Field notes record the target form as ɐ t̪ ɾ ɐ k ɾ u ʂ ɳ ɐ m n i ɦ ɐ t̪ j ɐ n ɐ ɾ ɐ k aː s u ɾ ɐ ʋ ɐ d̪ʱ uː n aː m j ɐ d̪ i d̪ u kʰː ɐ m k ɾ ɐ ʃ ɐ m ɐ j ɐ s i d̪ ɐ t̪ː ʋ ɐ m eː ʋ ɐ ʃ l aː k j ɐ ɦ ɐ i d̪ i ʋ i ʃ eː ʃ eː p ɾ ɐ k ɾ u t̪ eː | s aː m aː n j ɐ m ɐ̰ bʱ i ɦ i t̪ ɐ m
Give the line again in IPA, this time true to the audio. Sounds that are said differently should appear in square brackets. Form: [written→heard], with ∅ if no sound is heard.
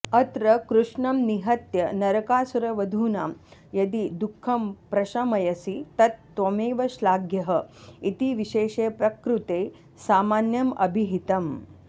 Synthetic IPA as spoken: ɐ t̪ ɾ ɐ k ɾ u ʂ ɳ ɐ m n i ɦ ɐ t̪ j ɐ n ɐ ɾ ɐ k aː s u ɾ ɐ ʋ ɐ d̪ʱ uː n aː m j ɐ d̪ i d̪ u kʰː ɐ m [k→p] ɾ ɐ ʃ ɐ m ɐ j ɐ s i [d̪→t̪] ɐ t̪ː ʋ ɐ m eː ʋ ɐ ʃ l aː [k→ɡ] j ɐ ɦ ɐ i [d̪→t̪] i ʋ i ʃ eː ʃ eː p ɾ ɐ k ɾ u t̪ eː | s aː m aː n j ɐ m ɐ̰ bʱ i ɦ i t̪ ɐ m